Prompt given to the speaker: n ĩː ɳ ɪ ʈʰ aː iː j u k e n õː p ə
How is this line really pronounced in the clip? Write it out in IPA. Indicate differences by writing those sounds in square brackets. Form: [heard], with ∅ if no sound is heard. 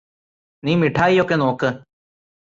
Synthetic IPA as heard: n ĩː [m] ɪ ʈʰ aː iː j [o] k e n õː [k] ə